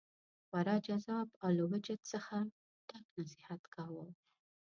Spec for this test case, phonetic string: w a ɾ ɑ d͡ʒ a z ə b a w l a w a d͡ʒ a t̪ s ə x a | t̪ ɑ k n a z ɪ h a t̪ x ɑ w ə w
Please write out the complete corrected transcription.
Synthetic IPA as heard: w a ɾ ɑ d͡ʒ a z ɑ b a w l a w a d͡ʒ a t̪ s ə x a | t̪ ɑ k n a s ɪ h a t̪ k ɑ w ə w